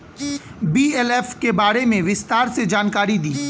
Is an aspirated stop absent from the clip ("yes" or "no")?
yes